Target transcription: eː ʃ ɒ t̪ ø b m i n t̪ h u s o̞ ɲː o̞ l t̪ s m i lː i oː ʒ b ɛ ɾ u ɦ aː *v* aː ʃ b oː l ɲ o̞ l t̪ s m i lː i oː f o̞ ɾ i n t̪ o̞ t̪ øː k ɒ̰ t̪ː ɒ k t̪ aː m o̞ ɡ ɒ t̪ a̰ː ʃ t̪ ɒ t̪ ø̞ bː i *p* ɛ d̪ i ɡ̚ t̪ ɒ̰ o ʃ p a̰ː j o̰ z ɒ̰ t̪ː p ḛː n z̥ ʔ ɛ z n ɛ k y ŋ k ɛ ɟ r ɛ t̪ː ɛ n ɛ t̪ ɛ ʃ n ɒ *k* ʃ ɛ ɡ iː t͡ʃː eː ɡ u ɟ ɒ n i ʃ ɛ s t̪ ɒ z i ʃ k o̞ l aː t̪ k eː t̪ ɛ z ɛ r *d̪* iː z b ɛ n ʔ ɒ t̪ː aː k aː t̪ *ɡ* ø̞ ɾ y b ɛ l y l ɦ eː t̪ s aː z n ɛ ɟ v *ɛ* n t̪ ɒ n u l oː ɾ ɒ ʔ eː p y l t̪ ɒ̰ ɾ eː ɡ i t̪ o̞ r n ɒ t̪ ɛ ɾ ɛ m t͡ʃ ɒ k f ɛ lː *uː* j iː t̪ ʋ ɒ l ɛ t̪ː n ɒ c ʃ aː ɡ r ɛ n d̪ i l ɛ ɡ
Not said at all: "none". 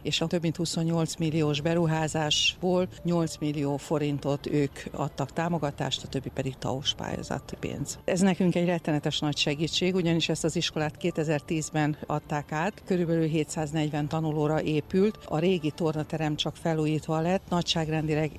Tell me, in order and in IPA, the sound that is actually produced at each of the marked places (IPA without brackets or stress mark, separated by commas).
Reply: z, p, c, t̪, k, ɛ, uː